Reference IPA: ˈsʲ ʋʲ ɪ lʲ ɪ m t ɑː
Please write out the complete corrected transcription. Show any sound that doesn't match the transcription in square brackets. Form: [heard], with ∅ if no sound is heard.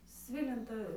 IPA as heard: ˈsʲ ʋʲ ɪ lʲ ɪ [n] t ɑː